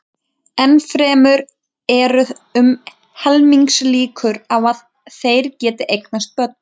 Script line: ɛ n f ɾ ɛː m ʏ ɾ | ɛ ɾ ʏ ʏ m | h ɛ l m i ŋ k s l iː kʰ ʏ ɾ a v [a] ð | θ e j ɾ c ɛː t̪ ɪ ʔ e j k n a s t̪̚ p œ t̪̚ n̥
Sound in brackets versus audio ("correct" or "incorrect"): correct